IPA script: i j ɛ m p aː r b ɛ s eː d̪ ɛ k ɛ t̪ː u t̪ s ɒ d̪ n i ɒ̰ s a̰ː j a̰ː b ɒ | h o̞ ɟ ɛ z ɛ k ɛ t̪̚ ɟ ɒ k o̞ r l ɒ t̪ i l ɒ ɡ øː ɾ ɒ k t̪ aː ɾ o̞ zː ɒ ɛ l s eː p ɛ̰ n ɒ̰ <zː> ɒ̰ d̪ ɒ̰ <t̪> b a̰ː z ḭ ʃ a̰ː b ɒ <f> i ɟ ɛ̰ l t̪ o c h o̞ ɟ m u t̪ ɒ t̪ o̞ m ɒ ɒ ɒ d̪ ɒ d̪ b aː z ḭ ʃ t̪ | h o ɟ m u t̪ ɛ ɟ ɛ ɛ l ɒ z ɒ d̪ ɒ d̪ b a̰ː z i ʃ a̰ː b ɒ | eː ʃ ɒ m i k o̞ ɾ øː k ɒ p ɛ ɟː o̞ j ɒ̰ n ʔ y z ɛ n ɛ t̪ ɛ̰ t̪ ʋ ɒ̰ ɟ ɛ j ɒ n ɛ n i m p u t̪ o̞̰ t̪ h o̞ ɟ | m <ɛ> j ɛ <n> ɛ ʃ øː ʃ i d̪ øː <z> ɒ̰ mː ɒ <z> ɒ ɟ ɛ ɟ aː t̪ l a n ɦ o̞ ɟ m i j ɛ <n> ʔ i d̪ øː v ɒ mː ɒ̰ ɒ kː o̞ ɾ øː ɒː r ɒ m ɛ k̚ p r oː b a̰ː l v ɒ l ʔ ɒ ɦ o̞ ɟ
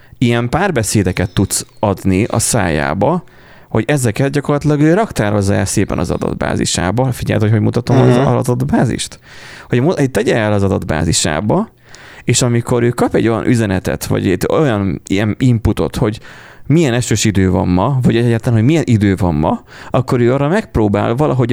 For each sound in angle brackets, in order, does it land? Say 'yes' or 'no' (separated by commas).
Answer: no, no, yes, no, yes, no, no, yes